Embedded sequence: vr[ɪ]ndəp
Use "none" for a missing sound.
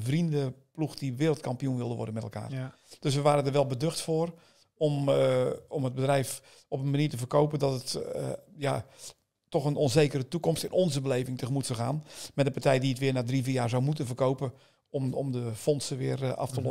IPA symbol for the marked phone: i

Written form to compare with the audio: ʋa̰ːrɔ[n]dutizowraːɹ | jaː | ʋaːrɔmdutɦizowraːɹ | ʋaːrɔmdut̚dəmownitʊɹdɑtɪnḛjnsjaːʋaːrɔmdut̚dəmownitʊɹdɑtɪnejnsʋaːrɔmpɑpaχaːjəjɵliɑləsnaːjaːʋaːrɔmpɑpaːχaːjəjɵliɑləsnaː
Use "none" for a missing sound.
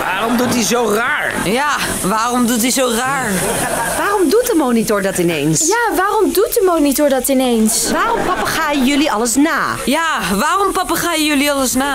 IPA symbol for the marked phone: m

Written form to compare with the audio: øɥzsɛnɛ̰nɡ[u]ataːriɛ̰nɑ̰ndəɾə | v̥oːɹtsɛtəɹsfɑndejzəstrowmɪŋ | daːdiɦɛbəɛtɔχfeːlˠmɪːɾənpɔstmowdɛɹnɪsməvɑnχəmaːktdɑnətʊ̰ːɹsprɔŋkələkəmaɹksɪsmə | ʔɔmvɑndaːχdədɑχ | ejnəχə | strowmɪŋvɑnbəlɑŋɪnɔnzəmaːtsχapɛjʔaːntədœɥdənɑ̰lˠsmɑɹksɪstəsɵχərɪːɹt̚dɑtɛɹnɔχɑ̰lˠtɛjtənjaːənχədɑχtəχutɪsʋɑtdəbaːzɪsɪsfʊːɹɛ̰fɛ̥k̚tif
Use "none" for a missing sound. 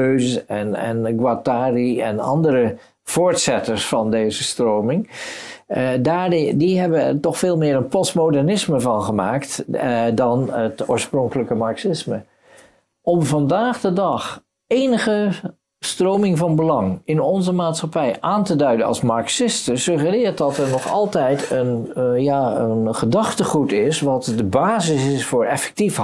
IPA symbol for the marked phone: w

